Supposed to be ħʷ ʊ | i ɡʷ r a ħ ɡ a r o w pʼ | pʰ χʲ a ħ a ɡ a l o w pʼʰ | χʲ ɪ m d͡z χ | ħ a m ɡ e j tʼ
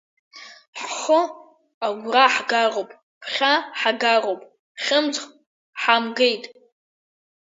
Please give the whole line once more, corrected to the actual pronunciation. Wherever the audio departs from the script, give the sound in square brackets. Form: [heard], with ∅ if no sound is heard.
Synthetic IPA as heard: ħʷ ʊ | [a] ɡʷ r a ħ ɡ a r o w pʼ | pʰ χʲ a ħ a ɡ a [r] o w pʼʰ | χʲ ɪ m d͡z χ | ħ a m ɡ e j tʼ